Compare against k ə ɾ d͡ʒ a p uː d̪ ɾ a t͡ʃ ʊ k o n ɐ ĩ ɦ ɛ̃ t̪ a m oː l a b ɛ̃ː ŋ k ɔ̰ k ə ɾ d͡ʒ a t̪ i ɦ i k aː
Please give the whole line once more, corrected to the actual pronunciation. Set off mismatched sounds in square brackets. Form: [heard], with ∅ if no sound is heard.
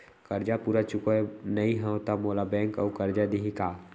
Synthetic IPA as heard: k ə ɾ d͡ʒ a p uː [∅] ɾ a t͡ʃ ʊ k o n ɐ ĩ ɦ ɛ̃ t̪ a m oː l a b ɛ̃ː ŋ k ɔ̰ k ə ɾ d͡ʒ a [d̪] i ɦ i k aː